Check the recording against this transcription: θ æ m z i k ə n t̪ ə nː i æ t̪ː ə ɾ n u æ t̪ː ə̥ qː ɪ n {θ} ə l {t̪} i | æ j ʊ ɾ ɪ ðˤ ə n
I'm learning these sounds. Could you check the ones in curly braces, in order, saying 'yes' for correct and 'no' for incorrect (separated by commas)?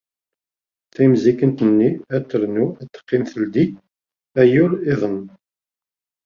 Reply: yes, no